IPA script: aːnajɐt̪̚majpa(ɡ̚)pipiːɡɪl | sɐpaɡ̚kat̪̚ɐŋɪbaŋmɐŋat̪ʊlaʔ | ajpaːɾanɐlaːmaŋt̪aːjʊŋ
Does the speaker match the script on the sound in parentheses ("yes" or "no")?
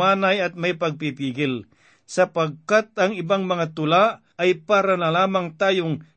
yes